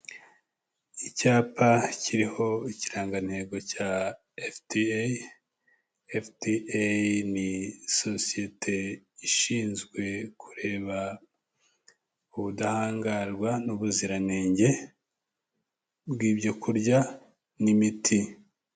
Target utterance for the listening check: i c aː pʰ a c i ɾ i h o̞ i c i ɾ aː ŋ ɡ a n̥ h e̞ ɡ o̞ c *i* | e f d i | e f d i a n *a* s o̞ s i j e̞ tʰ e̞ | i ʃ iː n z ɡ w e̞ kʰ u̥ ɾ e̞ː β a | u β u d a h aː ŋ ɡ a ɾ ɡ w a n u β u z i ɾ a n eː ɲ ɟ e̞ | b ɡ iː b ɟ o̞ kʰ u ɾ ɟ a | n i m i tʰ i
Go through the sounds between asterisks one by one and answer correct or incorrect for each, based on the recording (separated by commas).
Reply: incorrect, incorrect